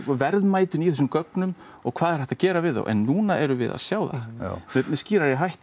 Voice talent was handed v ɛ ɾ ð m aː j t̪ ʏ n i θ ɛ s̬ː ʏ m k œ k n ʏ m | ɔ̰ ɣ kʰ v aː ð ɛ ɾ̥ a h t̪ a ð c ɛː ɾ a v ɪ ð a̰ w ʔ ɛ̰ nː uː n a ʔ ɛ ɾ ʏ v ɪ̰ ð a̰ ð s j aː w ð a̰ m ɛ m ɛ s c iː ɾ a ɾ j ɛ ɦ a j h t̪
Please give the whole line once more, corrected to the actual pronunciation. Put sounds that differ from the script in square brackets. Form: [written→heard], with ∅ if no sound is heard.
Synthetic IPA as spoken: v ɛ ɾ ð m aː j t̪ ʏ n i θ ɛ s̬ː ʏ m k œ k n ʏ m | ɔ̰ ɣ kʰ v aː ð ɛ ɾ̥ [a→ɛ] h t̪ a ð c ɛː ɾ a v ɪ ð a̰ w ʔ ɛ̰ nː uː n a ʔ ɛ ɾ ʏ v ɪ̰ ð a̰ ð s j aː w ð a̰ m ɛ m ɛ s c iː ɾ a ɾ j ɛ ɦ a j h t̪